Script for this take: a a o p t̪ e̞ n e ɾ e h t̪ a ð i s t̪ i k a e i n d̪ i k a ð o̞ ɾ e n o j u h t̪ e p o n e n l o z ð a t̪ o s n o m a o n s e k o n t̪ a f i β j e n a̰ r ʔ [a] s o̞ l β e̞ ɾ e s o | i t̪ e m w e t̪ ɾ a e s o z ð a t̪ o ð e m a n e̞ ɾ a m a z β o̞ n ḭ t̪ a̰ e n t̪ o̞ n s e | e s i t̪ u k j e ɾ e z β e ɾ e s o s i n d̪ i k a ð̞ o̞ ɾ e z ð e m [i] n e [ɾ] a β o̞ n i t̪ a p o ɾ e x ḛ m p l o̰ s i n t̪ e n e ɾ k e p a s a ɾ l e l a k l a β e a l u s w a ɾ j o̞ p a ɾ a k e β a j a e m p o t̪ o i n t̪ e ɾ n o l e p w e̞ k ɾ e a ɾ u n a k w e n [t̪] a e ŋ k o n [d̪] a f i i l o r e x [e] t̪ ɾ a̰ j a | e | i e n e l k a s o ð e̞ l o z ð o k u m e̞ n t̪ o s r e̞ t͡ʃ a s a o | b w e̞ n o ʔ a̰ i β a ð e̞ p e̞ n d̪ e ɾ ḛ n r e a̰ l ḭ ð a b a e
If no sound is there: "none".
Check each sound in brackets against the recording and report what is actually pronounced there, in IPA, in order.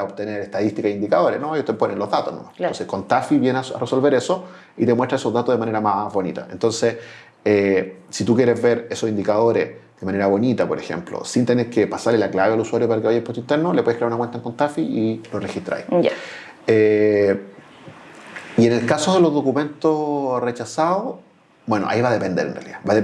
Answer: e, a, ɾ, t̪, t̪, i

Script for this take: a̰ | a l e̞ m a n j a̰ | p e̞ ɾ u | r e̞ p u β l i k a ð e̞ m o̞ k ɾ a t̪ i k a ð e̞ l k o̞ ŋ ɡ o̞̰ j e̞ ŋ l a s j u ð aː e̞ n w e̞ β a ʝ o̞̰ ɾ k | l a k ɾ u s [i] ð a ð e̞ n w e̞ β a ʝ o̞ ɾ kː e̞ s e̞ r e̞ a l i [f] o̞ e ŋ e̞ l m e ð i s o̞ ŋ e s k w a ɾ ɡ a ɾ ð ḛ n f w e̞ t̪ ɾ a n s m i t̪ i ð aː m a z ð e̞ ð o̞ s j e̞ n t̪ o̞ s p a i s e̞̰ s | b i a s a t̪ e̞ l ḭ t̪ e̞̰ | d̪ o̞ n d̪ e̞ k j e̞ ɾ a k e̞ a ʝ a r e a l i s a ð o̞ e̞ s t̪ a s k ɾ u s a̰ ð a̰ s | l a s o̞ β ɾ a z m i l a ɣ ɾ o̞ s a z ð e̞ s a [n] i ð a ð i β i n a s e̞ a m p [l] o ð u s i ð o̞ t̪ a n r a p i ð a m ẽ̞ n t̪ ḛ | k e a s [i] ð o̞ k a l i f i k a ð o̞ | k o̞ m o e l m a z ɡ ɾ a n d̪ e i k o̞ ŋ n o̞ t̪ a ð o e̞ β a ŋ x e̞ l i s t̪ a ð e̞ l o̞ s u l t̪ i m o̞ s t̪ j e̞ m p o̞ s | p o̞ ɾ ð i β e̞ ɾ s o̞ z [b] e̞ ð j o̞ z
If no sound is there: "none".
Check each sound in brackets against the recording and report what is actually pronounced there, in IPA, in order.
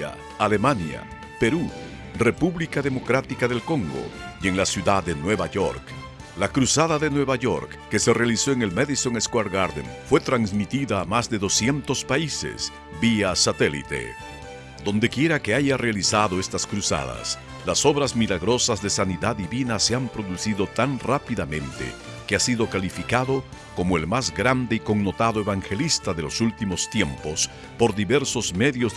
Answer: a, s, n, ɾ, i, m

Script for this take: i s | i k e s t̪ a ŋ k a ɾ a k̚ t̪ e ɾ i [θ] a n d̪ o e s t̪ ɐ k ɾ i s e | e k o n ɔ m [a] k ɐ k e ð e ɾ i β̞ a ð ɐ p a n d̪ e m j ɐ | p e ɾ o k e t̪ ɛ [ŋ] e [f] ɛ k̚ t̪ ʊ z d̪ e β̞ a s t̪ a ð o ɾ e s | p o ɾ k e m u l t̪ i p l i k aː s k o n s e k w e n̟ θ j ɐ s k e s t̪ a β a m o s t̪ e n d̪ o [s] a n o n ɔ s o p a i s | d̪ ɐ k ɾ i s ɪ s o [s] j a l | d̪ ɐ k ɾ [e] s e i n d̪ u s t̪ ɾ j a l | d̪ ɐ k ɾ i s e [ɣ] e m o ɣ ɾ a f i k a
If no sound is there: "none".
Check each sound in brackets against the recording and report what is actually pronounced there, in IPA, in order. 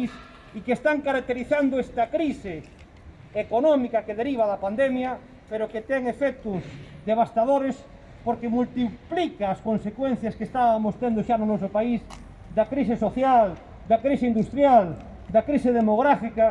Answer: θ, i, ŋ, f, ʃ, θ, i, ð

